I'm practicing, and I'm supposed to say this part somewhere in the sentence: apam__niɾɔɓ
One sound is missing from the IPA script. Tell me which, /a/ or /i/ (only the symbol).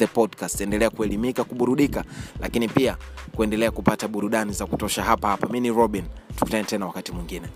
i